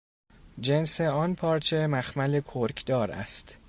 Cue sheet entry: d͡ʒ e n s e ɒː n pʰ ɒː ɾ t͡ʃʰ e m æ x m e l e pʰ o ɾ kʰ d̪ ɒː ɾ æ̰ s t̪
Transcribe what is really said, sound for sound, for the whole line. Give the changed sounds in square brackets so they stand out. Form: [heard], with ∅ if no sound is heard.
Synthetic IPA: d͡ʒ e n s e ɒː n pʰ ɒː ɾ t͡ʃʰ e m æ x m [æ] l e [kʰ] o ɾ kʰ d̪ ɒː ɾ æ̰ s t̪